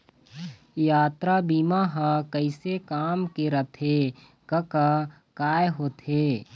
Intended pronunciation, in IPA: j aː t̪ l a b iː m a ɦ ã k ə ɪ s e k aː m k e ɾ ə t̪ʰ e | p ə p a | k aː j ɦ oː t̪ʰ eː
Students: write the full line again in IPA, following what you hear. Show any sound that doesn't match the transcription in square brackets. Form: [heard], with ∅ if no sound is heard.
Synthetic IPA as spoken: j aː t̪ [ɾ] a b iː m a ɦ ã k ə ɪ s e k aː m k e ɾ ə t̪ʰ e | [k] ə [k] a | k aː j ɦ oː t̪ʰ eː